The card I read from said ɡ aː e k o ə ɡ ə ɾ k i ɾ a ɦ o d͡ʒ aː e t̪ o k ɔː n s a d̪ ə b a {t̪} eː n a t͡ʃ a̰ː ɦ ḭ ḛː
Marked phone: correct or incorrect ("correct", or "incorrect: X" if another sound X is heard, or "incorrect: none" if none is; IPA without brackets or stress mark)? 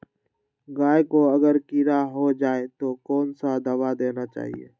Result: incorrect: d̪